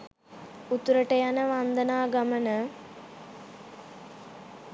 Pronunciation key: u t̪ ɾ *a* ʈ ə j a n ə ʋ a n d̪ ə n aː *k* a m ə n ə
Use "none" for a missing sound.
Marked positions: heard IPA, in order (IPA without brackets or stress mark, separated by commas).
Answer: ə, ɡ